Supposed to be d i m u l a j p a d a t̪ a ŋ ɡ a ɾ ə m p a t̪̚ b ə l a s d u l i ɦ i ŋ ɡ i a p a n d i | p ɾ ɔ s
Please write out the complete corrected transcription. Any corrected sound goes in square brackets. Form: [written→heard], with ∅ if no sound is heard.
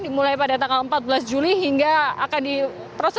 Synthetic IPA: d i m u l a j p a d a t̪ a ŋ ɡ a [ɾ→l] ə m p a t̪̚ b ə l a s [d→d͡ʒ] u l i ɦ i ŋ ɡ [i→a] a [p→k] a n d i | p ɾ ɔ s